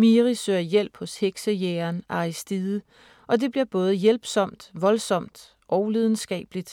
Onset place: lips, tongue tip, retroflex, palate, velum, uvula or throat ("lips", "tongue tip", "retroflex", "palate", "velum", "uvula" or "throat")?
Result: lips